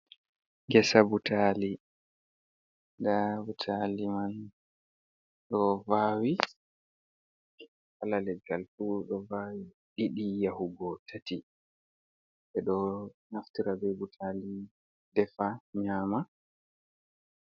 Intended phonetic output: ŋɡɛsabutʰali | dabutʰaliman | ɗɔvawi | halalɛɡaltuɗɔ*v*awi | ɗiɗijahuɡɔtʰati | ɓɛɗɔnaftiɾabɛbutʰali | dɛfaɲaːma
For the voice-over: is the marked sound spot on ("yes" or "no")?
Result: yes